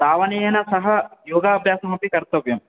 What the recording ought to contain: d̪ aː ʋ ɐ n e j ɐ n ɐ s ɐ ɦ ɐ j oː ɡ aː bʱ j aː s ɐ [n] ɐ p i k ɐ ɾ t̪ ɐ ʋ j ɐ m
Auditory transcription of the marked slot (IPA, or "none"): m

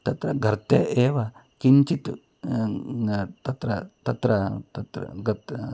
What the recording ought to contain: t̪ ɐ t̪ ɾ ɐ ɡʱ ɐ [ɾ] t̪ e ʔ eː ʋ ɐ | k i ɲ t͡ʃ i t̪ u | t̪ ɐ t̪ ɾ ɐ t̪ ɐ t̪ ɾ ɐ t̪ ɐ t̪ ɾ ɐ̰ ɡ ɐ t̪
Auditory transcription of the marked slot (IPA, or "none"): ɾ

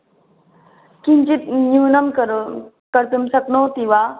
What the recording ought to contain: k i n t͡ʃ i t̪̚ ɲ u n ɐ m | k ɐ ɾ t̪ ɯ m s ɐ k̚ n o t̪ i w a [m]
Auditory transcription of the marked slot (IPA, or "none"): none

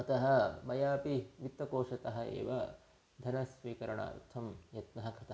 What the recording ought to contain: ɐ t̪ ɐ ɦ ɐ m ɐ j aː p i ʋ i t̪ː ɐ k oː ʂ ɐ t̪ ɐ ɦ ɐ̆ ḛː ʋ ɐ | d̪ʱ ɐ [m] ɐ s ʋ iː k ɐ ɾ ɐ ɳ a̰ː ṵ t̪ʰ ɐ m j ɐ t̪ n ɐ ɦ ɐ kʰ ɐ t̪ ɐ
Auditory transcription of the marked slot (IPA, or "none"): n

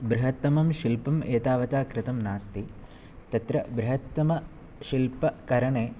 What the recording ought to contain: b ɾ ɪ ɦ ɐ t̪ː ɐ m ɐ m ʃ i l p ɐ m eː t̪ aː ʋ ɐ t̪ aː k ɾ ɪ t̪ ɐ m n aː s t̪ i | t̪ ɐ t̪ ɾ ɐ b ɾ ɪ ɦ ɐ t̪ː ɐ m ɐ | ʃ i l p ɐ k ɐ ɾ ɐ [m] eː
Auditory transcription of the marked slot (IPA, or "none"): ɳ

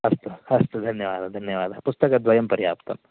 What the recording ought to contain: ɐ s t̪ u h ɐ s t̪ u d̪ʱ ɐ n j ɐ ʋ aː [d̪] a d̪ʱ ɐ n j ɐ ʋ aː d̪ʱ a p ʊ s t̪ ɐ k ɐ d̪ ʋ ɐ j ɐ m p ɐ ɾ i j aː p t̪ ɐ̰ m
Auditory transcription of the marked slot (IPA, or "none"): d̪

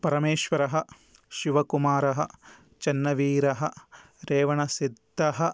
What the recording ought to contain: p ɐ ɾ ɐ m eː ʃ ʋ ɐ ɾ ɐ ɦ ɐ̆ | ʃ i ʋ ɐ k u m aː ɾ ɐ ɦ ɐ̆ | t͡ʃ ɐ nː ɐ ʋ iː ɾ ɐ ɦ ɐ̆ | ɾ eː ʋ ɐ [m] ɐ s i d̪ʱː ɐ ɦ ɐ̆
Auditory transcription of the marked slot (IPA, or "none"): ɳ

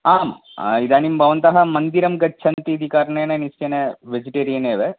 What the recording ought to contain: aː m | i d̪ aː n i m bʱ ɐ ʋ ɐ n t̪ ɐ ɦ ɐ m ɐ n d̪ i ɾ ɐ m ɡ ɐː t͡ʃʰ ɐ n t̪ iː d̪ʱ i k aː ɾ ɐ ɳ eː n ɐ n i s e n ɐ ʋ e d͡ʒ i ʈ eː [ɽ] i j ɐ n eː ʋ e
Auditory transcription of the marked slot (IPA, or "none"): ɾ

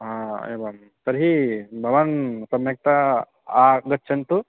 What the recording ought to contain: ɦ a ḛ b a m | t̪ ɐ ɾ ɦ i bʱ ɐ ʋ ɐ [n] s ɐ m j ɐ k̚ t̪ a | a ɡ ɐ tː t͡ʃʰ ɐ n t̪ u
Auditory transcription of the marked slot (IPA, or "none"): n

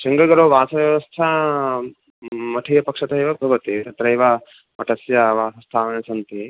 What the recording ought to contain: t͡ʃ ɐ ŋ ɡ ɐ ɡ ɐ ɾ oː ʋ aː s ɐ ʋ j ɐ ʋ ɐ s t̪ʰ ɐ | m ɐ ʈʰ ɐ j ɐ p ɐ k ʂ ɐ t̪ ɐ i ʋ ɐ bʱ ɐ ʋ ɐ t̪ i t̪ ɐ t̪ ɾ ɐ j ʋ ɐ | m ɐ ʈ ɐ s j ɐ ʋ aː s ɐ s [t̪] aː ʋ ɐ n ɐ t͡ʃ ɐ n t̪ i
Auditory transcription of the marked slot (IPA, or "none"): t̪ʰ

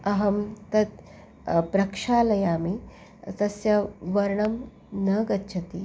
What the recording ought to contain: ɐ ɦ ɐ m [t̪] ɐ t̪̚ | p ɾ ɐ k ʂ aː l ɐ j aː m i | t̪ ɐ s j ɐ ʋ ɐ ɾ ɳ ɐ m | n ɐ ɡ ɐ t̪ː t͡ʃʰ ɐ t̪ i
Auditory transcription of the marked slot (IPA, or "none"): t̪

